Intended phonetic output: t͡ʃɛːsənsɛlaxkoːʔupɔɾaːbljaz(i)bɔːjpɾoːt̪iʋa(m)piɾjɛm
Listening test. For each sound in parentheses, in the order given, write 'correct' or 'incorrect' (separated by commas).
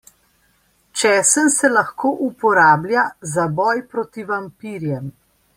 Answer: incorrect, correct